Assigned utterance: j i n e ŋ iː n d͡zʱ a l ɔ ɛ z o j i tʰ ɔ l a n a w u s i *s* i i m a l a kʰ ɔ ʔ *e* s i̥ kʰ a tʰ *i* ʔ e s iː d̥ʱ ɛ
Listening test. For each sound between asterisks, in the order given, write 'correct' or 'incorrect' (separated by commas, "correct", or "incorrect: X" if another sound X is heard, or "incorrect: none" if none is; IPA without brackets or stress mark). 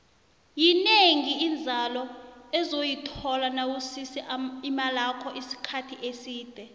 correct, incorrect: i, correct